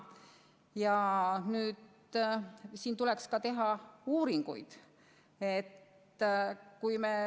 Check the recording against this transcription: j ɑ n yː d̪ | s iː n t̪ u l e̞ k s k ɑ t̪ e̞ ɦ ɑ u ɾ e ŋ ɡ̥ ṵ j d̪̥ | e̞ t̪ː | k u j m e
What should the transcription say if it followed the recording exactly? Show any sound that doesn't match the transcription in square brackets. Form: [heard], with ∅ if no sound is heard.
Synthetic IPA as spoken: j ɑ n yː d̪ | s iː n t̪ u l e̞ k s k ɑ t̪ e̞ ɦ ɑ [uː] ɾ [i] ŋ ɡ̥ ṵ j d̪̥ | e̞ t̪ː | k u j m e